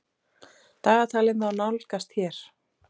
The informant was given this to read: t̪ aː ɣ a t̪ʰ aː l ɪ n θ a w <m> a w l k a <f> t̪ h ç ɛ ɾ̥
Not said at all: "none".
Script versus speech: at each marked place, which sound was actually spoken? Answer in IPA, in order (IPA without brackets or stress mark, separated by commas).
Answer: n, s